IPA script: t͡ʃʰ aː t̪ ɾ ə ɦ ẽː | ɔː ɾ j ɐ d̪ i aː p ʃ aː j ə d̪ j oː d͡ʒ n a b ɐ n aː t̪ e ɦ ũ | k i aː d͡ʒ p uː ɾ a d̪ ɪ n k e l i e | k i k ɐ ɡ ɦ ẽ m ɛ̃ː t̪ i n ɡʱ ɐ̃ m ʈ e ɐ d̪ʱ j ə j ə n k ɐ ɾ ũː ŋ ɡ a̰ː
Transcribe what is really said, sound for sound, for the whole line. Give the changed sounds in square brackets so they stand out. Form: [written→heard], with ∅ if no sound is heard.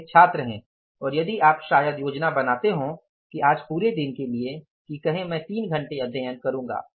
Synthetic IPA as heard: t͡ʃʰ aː t̪ ɾ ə ɦ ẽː | ɔː ɾ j ɐ d̪ i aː p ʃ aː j ə d̪ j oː d͡ʒ n a b ɐ n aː t̪ e ɦ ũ | k i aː d͡ʒ p uː ɾ [a→e] d̪ ɪ n k e l i e | k i k ɐ [ɡ→∅] ɦ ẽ m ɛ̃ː t̪ [i→iː] n ɡʱ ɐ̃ [m→ɳ] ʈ e ɐ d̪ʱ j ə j ə n k ɐ ɾ ũː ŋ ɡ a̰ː